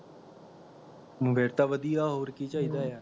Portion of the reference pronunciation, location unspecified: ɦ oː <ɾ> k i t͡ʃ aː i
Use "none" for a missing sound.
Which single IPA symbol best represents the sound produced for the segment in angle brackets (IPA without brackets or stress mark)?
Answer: ɾ